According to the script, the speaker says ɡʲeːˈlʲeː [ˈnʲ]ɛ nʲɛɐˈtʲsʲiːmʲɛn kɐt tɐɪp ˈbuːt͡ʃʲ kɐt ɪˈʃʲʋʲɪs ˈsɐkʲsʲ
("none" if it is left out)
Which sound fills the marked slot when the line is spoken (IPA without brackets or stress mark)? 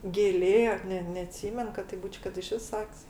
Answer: nʲ